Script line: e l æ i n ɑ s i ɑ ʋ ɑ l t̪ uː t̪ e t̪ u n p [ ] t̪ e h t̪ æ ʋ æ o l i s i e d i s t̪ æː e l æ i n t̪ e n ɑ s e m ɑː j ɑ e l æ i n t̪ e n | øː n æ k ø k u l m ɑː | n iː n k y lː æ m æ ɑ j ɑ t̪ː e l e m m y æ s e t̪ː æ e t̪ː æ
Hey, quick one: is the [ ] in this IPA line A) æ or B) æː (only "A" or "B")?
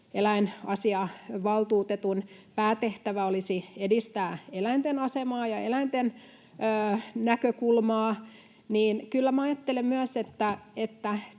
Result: B